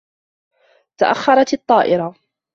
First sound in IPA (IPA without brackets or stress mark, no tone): t̪